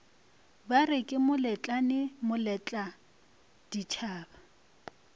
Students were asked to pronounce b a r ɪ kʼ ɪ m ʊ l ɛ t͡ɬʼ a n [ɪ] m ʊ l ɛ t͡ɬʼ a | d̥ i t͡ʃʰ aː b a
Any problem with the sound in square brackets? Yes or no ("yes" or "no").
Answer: no